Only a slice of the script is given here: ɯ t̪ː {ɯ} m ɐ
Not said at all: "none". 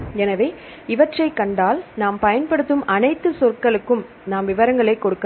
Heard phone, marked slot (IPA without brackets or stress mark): ɯ